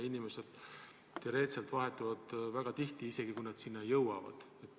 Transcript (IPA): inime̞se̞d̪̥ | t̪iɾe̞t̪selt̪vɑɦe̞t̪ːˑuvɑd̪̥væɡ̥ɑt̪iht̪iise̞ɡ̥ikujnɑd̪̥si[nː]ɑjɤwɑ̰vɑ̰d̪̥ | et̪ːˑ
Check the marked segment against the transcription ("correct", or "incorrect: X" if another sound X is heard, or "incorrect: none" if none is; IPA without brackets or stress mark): correct